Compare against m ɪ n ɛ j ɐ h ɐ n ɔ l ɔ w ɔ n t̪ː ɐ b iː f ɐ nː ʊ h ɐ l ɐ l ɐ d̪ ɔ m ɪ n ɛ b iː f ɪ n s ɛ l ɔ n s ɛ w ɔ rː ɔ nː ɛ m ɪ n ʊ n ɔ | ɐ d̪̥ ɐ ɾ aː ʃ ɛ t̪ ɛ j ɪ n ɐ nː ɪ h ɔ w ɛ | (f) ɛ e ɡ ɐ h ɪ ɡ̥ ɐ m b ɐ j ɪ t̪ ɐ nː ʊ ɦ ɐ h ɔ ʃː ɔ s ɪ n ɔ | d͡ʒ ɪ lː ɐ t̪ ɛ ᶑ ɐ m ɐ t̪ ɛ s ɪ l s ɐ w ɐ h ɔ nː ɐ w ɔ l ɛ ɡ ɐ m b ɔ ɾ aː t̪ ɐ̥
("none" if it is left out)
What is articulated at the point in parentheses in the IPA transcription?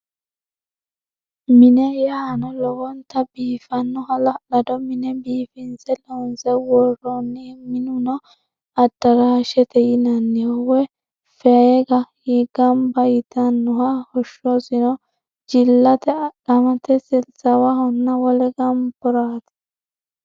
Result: f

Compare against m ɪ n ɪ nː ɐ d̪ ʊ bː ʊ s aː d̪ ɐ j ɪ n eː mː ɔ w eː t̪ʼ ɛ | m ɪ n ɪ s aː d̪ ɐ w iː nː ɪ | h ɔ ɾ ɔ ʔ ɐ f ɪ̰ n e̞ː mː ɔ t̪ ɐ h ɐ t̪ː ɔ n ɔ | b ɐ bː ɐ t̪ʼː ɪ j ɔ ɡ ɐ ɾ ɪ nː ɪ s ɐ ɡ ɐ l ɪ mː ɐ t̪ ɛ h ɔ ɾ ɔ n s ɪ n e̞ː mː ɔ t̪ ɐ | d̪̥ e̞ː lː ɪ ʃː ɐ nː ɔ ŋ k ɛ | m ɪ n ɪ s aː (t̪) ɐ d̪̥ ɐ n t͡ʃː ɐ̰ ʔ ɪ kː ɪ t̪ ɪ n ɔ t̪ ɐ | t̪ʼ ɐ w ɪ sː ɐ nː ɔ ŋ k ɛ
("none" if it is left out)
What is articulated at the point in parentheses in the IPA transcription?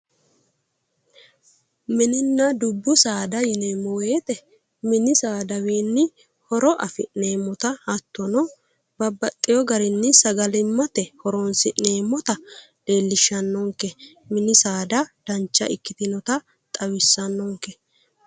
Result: d̪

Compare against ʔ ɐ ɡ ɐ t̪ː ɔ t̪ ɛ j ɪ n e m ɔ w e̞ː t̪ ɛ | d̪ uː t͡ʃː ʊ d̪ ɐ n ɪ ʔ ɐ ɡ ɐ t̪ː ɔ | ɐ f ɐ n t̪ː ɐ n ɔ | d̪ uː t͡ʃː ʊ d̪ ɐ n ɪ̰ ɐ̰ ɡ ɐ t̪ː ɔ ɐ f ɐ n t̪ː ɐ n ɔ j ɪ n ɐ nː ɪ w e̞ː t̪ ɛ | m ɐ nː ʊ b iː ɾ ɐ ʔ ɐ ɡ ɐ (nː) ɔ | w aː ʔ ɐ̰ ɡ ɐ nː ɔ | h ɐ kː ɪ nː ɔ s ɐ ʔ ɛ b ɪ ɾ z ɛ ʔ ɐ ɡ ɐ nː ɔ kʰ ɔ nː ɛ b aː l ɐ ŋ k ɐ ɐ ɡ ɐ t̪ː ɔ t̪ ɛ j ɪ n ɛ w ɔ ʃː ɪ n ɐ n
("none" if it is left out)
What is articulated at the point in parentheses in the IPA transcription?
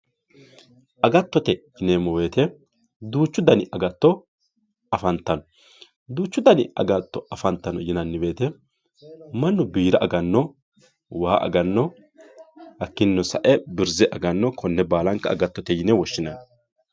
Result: nː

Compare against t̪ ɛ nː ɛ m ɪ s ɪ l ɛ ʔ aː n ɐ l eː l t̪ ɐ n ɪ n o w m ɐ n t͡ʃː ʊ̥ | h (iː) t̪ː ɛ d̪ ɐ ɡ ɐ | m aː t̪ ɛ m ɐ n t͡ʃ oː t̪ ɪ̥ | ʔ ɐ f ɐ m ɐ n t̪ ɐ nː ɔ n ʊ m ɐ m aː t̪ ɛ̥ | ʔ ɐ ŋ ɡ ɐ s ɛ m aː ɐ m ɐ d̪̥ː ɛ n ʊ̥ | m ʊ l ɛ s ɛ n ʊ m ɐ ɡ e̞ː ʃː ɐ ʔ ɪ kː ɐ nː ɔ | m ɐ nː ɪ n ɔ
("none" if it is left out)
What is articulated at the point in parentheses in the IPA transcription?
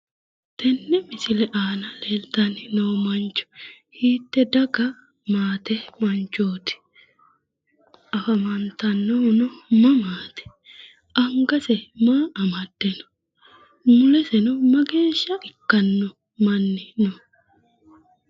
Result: iː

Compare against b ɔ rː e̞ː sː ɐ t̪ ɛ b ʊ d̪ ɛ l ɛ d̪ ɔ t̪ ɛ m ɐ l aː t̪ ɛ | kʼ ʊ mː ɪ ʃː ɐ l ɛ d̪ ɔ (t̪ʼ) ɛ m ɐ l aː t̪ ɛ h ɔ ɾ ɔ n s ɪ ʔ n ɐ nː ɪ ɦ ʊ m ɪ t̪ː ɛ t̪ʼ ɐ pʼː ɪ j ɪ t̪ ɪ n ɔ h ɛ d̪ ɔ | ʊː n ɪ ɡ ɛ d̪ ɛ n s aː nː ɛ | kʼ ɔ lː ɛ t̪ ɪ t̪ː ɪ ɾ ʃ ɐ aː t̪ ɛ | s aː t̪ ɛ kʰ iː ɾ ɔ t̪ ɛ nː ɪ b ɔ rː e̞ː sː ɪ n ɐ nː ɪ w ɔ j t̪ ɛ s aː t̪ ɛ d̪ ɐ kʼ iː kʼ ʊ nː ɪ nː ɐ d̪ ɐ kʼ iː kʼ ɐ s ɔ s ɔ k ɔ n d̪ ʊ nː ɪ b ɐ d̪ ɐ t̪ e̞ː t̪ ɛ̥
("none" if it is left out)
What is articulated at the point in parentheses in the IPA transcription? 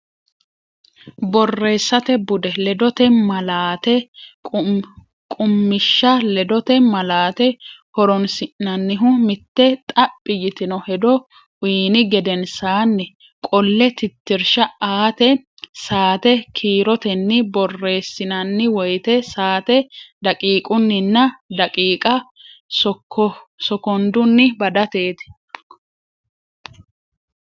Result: t̪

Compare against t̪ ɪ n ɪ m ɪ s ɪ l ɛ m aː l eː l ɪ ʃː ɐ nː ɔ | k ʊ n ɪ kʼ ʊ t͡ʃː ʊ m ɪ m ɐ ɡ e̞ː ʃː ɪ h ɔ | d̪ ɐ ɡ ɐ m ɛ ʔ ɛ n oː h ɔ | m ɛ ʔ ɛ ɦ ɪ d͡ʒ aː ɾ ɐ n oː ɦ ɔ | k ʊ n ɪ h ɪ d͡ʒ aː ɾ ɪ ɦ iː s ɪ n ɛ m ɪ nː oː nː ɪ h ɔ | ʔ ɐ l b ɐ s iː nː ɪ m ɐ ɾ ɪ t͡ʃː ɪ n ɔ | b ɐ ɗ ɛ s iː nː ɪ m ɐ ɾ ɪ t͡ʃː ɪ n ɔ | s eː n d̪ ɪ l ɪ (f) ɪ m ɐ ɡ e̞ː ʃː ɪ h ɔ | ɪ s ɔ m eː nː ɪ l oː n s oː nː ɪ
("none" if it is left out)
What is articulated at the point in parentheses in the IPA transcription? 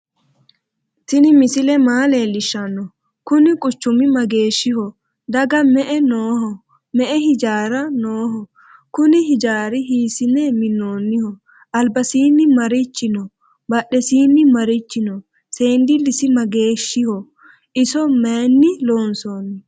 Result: s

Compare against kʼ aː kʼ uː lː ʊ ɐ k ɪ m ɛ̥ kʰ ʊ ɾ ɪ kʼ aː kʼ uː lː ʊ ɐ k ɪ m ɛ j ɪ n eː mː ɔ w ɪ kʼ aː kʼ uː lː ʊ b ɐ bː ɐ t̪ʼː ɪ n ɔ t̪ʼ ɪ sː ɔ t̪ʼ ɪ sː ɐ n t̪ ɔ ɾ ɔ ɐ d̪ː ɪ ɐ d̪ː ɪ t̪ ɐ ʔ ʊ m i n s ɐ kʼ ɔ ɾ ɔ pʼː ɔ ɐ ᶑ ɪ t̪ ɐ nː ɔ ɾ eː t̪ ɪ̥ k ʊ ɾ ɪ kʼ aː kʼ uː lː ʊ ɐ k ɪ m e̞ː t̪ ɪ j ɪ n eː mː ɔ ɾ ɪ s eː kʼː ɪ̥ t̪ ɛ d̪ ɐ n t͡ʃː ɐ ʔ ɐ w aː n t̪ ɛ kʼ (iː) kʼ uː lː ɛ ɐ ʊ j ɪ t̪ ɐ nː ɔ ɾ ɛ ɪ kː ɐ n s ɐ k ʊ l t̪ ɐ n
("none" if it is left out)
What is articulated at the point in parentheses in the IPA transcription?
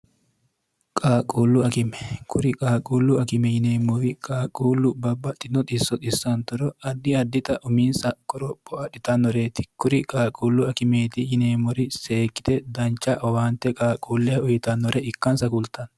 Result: aː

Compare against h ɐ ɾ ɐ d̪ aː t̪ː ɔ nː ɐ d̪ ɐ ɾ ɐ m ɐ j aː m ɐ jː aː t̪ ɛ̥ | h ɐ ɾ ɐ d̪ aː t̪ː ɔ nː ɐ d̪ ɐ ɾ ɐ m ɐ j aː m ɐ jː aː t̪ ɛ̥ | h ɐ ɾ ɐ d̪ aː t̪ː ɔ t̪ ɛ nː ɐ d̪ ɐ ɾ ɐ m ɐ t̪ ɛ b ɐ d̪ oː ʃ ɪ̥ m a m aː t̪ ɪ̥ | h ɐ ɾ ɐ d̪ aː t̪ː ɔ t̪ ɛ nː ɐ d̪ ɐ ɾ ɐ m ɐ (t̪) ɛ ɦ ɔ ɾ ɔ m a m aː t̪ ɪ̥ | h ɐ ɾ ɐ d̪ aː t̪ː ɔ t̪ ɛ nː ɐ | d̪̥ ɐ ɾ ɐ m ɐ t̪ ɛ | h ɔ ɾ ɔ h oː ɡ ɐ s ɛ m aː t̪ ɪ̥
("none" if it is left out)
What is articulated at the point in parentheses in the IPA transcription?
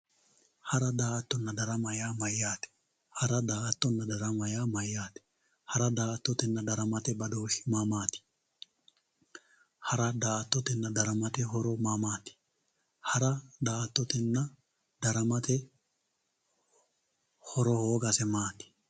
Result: t̪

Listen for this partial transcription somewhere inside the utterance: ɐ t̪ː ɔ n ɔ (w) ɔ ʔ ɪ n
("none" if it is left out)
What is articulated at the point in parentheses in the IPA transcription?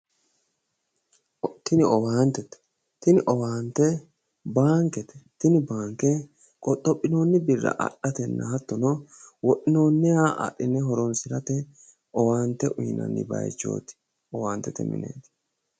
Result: w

